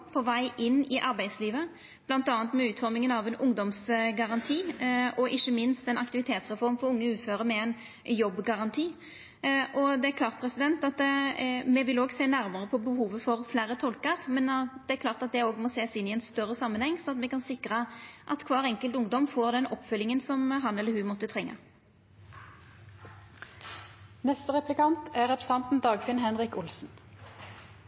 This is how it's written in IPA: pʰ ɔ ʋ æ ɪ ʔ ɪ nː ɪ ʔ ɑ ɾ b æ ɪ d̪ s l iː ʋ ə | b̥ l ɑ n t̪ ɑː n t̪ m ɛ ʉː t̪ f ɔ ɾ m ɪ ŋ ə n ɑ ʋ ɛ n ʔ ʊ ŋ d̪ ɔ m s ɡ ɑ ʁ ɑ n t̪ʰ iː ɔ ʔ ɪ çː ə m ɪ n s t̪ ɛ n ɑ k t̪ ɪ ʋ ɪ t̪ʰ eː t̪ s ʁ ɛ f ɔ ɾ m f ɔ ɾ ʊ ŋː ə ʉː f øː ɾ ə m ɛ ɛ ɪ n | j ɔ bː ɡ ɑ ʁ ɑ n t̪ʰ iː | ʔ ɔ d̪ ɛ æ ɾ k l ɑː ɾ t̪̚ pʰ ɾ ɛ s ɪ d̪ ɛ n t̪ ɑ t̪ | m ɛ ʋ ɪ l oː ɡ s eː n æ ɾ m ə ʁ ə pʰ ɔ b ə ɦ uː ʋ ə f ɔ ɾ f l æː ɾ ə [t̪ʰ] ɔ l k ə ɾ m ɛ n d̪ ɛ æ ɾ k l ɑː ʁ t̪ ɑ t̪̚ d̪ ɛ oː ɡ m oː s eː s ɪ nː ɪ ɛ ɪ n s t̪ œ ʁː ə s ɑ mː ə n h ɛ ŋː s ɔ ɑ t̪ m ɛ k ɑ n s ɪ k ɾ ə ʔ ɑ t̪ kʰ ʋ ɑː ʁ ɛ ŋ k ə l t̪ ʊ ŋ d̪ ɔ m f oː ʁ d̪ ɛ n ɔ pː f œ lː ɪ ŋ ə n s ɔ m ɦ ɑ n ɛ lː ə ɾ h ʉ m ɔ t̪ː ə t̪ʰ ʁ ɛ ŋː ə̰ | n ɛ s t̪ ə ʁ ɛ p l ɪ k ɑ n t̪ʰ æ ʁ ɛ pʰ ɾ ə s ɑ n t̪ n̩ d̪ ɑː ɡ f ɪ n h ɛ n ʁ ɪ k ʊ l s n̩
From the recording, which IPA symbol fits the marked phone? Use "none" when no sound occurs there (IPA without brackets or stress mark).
t̪ʰ